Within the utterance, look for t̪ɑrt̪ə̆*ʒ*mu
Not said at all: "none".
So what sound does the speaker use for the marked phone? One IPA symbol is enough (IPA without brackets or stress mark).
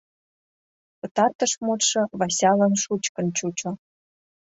ʃ